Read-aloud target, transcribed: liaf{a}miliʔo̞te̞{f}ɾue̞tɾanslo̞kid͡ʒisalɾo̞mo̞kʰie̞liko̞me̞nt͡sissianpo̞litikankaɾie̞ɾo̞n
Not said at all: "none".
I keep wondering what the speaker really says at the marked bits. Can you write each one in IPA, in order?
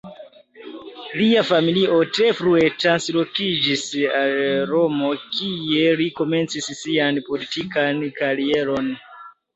a, f

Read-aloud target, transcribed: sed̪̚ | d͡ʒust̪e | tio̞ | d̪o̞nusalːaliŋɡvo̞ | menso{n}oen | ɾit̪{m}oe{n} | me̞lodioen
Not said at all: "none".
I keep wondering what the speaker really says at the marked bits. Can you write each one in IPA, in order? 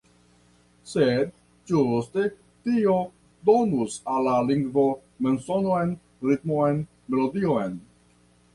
n, m, n

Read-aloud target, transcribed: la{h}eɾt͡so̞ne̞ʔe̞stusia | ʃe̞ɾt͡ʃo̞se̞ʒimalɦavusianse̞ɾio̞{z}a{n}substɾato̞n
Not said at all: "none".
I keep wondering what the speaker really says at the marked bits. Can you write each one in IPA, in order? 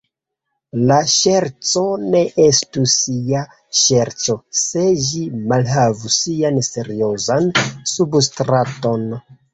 ʃ, z, n

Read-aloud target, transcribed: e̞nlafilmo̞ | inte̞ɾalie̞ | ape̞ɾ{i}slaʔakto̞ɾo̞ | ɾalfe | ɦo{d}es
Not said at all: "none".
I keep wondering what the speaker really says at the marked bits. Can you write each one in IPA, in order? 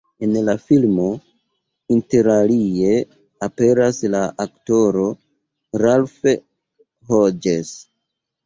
a, d͡ʒ

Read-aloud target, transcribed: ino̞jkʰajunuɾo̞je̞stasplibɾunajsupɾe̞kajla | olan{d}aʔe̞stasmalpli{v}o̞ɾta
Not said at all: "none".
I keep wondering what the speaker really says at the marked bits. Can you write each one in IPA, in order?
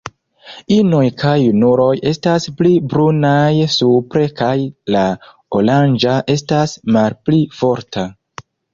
d͡ʒ, f

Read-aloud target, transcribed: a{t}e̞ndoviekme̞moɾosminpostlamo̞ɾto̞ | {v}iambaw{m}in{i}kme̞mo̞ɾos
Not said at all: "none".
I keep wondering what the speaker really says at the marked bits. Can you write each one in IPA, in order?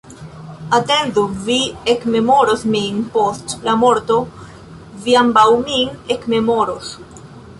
t, v, m, e

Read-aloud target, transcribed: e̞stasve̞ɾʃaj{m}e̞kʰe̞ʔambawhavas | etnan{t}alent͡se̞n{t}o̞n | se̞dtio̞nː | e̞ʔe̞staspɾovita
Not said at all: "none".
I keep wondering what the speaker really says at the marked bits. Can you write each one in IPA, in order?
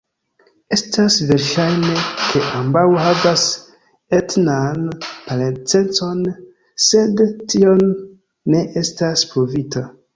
n, p, t͡s

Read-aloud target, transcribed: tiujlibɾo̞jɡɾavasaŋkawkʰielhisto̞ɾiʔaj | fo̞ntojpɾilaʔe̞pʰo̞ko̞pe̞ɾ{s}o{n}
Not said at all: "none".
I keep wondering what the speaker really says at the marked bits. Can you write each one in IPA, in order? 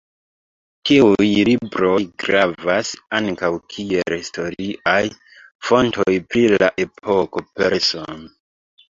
s, n

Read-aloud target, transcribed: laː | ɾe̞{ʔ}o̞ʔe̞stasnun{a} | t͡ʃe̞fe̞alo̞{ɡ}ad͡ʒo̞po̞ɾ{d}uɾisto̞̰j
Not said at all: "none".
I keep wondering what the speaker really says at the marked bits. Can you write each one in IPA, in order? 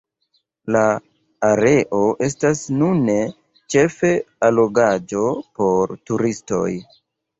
ʔ, e, ɡ, t

